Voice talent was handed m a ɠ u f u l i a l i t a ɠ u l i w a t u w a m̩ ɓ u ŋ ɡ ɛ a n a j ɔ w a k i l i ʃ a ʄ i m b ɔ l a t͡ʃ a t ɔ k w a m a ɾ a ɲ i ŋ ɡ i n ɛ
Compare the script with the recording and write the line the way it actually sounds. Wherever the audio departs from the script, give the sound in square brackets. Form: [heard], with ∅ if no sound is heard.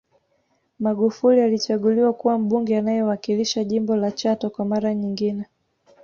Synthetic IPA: m a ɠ u f u l i a l i [t͡ʃ] a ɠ u l i w a [k] u w a m̩ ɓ u ŋ ɡ ɛ a n a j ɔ w a k i l i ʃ a ʄ i m b ɔ l a t͡ʃ a t ɔ k w a m a ɾ a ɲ i ŋ ɡ i n ɛ